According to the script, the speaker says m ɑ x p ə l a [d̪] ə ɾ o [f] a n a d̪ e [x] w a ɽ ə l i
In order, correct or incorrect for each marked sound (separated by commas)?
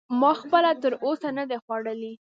incorrect, incorrect, correct